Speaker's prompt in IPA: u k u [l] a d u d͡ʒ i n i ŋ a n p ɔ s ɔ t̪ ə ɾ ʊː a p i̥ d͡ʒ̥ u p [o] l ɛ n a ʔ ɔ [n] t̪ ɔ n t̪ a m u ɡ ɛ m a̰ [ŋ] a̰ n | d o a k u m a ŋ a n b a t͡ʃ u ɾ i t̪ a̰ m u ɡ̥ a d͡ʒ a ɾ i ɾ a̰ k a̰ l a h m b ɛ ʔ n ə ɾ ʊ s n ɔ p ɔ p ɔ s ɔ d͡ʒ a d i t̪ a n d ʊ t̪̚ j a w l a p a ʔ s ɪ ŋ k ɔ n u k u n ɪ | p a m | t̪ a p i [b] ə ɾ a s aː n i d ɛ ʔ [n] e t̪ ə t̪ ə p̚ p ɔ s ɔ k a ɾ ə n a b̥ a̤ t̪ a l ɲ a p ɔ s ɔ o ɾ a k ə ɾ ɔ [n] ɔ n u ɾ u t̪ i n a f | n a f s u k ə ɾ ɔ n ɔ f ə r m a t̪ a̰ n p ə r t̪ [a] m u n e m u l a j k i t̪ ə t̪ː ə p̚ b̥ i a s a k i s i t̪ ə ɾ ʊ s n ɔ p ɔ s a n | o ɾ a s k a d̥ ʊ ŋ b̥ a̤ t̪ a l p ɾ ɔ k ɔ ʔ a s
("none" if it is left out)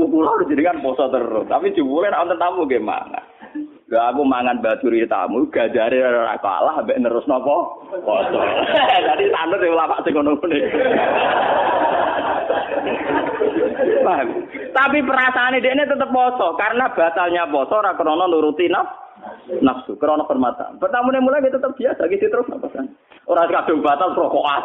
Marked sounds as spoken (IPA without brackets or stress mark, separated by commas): l, u, n, ŋ, p, n, n, a